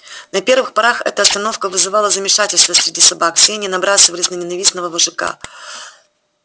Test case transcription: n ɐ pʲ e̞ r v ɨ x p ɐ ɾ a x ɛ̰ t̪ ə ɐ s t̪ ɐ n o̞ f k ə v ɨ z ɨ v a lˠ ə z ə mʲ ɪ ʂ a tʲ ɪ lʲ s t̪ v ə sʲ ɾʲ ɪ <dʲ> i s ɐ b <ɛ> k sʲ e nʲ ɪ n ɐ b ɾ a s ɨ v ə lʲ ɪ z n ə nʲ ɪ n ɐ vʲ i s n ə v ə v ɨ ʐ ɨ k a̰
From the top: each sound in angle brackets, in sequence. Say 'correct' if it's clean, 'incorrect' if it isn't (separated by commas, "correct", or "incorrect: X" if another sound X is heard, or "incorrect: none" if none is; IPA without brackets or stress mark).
correct, incorrect: a